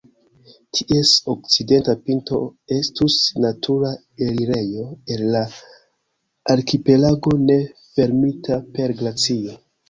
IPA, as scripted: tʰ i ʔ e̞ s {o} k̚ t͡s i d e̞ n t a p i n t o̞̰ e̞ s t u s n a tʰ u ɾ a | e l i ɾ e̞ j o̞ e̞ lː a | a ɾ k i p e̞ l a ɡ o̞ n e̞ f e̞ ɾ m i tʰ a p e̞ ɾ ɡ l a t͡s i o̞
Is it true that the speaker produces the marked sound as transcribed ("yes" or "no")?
yes